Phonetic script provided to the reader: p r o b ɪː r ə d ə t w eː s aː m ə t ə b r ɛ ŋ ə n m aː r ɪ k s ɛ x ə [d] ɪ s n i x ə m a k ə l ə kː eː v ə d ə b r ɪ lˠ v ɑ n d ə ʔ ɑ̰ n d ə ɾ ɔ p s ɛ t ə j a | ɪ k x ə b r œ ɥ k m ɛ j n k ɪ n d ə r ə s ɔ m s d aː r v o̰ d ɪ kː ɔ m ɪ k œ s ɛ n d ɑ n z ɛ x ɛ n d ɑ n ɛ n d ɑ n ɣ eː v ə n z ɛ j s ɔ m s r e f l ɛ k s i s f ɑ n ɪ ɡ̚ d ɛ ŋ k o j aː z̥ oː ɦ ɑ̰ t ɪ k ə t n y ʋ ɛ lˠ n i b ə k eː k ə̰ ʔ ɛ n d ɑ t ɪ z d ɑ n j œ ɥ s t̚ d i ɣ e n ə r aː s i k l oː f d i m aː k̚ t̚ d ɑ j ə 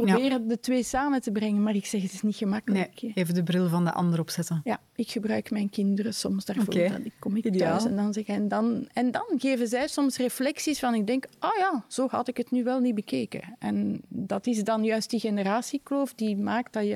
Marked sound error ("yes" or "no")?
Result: yes